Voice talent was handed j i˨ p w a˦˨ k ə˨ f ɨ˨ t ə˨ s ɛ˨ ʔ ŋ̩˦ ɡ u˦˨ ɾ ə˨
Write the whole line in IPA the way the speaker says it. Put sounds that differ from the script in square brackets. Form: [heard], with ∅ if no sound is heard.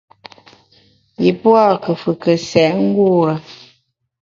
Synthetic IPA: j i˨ p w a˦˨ k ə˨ f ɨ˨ [k] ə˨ s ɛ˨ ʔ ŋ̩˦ ɡ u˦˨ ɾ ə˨